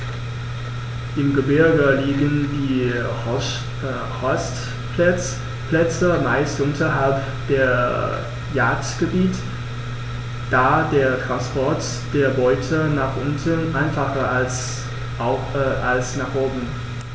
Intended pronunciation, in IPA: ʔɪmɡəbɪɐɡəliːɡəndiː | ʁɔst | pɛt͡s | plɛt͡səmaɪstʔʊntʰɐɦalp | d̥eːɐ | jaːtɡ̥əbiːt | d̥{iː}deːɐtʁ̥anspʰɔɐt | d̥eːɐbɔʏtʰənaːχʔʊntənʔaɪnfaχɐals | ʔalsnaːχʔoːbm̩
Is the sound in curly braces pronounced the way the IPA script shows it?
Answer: no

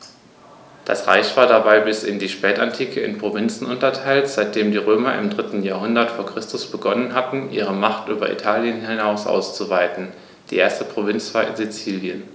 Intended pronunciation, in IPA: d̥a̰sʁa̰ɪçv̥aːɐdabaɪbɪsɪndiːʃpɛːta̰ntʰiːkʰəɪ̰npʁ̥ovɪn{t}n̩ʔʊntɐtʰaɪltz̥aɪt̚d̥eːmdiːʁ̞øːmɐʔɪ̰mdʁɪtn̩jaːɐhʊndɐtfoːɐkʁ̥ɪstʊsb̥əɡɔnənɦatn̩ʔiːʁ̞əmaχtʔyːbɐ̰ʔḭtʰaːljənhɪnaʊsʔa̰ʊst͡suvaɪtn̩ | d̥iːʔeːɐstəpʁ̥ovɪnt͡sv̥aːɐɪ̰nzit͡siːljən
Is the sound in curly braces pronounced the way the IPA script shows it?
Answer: no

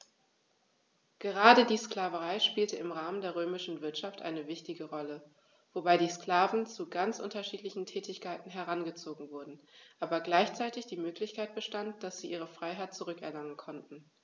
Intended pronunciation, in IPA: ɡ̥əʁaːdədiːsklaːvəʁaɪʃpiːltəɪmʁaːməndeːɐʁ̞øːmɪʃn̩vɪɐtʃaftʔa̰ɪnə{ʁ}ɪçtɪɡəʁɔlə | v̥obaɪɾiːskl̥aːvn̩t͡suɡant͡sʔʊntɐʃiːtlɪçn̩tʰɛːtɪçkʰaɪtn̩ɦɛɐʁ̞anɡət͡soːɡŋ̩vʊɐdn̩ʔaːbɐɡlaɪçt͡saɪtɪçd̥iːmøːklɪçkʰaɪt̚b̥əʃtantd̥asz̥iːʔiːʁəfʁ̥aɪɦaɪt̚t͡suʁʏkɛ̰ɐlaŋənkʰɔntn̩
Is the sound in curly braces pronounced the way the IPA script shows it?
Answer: no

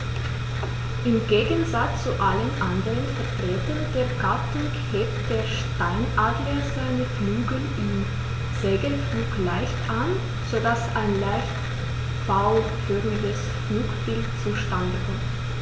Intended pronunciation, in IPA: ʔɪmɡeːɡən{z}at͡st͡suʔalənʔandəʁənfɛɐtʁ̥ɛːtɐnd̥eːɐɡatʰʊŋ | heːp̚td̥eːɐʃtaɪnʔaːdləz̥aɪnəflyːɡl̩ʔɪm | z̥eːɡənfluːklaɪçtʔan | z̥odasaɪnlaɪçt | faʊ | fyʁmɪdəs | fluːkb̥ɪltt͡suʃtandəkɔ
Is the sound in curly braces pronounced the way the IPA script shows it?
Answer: yes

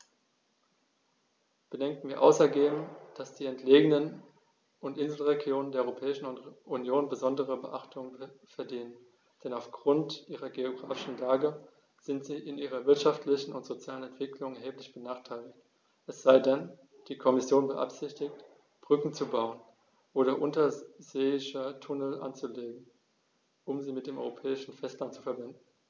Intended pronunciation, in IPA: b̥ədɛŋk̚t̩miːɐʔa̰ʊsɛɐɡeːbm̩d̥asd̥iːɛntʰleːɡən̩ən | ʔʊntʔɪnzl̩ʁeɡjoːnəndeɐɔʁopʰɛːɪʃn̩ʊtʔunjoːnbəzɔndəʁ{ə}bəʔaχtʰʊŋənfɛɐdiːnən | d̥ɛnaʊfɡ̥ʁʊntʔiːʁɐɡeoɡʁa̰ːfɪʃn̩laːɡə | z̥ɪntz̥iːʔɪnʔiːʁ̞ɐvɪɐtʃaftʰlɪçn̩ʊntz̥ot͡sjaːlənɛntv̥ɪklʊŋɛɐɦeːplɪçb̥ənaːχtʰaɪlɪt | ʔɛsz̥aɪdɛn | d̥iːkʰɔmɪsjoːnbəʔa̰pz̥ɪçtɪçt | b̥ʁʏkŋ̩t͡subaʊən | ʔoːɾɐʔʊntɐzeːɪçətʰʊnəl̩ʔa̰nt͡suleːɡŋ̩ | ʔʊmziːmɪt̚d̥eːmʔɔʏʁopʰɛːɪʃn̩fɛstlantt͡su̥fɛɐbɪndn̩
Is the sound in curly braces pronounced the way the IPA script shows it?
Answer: yes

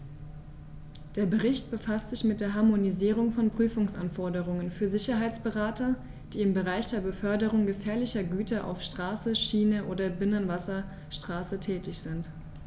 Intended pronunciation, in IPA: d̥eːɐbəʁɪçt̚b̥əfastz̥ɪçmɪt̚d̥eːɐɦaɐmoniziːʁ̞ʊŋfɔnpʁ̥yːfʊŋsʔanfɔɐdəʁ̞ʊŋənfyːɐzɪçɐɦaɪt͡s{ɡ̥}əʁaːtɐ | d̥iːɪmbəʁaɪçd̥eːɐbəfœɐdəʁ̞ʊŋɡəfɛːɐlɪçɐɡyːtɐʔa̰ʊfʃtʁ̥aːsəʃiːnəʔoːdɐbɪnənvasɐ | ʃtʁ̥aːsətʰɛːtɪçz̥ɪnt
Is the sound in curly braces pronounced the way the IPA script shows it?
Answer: no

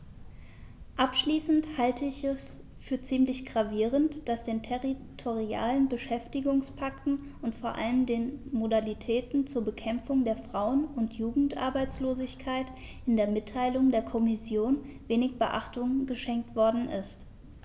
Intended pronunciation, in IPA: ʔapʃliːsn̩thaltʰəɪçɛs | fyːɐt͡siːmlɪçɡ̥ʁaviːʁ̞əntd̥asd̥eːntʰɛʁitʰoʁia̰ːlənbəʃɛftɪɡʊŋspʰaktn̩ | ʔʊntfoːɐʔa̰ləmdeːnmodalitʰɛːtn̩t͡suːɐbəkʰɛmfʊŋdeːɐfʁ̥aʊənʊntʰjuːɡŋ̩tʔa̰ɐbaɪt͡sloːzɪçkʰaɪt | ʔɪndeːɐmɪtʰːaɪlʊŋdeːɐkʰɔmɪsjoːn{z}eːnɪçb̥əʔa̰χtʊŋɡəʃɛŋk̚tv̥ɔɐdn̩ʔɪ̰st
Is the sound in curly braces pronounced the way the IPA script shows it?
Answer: no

